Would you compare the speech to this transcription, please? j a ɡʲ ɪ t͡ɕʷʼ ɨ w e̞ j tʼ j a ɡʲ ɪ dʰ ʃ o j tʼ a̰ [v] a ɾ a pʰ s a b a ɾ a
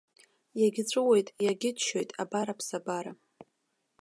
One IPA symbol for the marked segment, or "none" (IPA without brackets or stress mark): b